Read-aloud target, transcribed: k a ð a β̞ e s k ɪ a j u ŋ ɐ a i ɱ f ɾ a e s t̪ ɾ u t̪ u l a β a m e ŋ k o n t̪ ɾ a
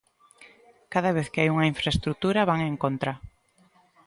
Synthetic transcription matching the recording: k a ð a β̞ e θ k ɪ a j u ŋ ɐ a i ɱ f ɾ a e s t̪ ɾ u t̪ u ɾ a β a ŋ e ŋ k o n t̪ ɾ a